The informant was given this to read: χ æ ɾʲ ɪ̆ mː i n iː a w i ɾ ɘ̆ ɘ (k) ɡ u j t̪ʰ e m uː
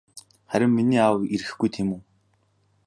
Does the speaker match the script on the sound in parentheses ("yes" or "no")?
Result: no